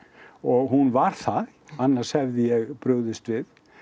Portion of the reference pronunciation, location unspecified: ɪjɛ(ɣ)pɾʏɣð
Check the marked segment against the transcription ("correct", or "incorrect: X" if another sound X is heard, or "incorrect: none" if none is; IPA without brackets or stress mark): correct